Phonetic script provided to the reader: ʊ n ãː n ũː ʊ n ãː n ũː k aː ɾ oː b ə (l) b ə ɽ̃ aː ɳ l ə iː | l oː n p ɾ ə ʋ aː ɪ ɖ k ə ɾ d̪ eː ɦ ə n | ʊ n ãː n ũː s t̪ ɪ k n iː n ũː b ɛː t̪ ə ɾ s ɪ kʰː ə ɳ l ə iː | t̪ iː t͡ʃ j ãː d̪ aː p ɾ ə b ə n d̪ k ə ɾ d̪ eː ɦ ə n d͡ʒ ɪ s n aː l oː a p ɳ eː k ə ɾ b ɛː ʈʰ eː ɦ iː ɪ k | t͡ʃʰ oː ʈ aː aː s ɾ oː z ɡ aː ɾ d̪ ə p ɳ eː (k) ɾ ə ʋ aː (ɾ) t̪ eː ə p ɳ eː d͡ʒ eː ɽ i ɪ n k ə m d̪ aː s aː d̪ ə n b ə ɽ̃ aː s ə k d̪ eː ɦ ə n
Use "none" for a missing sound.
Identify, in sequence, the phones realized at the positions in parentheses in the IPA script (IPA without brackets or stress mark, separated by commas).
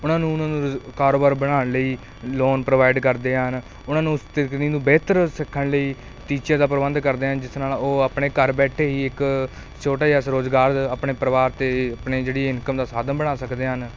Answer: ɾ, p, ɾ